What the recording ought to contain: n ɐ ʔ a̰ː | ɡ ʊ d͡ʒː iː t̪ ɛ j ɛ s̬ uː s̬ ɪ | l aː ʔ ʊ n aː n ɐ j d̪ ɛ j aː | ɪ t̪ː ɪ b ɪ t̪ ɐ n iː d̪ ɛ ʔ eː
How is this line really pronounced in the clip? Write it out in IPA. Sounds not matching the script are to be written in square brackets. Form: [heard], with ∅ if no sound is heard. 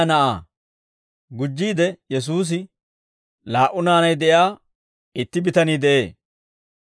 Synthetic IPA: n ɐ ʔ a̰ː | ɡ ʊ d͡ʒː iː [d̪] ɛ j ɛ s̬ uː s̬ ɪ | l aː ʔ ʊ n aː n ɐ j d̪ ɛ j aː | ɪ t̪ː ɪ b ɪ t̪ ɐ n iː d̪ ɛ ʔ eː